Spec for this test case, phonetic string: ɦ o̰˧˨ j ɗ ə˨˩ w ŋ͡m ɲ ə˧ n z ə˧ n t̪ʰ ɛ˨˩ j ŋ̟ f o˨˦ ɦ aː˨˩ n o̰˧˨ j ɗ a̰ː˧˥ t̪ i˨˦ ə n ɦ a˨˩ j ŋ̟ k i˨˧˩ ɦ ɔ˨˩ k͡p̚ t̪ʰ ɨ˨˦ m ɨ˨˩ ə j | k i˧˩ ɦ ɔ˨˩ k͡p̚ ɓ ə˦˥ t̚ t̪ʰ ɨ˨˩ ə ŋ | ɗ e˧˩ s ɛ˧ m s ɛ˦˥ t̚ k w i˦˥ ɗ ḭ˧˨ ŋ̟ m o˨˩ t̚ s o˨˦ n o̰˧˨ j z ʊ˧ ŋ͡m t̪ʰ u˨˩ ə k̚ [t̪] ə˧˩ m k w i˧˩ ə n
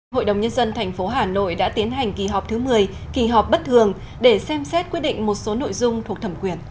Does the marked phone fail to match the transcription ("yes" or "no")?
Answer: yes